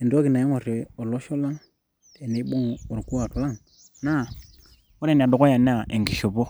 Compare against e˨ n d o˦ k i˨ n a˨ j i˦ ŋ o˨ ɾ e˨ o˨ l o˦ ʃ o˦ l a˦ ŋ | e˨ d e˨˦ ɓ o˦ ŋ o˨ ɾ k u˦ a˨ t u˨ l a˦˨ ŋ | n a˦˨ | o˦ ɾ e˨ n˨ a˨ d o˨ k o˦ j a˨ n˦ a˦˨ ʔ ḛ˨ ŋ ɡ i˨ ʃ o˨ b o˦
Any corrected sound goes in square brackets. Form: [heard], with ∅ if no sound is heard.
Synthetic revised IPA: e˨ n d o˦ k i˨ n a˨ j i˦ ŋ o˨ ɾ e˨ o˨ l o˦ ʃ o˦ l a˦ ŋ | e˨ [n] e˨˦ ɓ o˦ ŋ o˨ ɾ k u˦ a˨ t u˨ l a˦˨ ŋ | n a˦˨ | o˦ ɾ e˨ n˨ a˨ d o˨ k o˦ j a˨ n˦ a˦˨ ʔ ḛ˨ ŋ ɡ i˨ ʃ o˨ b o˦